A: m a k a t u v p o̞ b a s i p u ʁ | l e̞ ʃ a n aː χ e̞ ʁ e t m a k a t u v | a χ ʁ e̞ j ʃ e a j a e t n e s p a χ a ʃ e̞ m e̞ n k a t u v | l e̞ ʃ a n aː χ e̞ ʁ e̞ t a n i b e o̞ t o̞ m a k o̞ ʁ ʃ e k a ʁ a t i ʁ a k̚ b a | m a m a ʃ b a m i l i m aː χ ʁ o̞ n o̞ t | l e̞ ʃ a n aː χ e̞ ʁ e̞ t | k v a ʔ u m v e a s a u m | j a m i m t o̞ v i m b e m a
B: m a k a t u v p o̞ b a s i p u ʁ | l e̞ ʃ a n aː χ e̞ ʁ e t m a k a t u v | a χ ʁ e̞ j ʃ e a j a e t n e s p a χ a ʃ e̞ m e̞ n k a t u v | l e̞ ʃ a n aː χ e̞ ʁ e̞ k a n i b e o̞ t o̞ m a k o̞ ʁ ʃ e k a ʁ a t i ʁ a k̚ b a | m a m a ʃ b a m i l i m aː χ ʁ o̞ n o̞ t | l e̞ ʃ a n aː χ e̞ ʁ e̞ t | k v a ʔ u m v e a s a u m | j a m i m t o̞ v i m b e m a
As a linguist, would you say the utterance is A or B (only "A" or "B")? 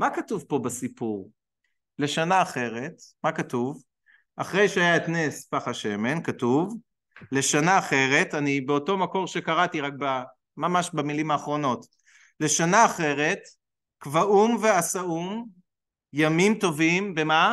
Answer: A